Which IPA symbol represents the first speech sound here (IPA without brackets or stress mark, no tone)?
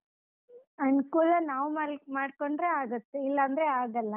ɐ